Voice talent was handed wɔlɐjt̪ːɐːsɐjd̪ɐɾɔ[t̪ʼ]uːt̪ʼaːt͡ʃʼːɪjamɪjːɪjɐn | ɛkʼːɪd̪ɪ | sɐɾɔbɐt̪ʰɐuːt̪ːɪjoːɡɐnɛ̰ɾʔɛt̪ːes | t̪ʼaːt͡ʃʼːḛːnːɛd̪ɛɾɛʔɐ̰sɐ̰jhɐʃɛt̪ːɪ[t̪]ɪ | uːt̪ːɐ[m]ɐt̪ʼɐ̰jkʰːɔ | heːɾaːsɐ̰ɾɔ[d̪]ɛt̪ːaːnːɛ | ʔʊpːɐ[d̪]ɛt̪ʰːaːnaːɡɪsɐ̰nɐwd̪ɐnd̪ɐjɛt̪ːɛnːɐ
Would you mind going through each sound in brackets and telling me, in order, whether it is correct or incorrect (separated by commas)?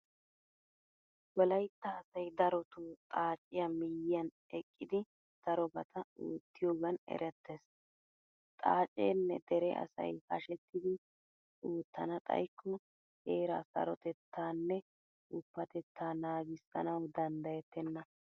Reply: incorrect, incorrect, incorrect, incorrect, incorrect